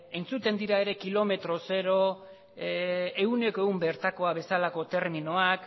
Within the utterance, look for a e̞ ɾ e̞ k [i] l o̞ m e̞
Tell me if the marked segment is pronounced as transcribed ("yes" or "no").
yes